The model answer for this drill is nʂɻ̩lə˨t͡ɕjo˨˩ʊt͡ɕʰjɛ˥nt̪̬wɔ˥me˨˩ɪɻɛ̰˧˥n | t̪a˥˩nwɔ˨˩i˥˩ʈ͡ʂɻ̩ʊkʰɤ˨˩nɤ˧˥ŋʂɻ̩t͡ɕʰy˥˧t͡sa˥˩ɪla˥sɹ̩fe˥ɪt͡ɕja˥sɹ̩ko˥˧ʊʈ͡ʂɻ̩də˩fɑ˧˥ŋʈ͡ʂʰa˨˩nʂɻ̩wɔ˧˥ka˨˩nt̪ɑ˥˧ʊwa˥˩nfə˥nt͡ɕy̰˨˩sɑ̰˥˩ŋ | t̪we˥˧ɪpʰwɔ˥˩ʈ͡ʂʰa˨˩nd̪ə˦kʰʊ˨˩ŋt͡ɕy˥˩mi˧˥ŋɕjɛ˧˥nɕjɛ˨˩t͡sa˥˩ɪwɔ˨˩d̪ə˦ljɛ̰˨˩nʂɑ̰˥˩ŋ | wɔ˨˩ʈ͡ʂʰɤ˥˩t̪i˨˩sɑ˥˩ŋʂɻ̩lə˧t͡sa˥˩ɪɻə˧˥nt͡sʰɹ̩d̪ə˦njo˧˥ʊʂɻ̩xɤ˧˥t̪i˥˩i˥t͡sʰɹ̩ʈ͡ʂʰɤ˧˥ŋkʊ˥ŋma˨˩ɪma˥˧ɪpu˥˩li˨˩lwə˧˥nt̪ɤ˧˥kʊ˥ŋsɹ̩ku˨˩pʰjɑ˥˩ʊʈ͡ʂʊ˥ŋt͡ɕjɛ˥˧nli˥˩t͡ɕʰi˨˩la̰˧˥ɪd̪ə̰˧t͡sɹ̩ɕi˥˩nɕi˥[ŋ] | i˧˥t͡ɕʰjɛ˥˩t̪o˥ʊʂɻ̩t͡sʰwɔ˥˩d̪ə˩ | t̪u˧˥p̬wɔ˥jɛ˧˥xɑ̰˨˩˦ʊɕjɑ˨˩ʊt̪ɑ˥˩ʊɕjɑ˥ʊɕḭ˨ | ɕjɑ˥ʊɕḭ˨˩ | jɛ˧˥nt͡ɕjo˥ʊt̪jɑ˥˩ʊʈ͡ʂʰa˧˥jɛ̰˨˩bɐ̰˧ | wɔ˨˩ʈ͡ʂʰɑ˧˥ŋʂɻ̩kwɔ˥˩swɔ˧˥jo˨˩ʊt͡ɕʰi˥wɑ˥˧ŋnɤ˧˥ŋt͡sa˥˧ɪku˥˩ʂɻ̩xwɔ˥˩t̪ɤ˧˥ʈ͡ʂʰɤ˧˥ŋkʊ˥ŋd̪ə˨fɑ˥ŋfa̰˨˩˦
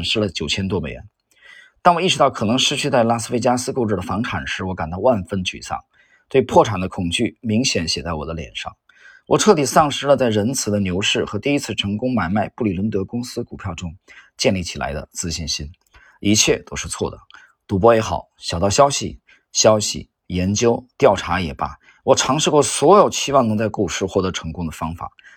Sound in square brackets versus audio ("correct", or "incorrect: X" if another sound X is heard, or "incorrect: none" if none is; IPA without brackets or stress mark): incorrect: n